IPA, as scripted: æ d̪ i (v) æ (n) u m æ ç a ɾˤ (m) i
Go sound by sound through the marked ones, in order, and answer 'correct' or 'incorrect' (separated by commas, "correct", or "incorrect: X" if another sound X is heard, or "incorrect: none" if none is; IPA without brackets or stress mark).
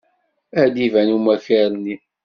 correct, correct, incorrect: n